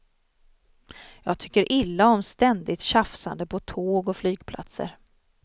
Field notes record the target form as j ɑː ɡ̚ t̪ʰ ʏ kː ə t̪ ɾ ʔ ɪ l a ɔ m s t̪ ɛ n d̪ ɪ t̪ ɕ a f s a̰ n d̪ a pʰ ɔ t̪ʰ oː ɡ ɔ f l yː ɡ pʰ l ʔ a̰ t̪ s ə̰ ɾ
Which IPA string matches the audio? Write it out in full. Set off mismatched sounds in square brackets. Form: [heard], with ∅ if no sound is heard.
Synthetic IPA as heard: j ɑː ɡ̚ t̪ʰ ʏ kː ə [∅] ɾ ʔ ɪ [lː] a ɔ m s t̪ ɛ n d̪ ɪ t̪ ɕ a f s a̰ n d̪ [ə] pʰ ɔ t̪ʰ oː ɡ ɔ f l yː ɡ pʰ l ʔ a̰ t̪ s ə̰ ɾ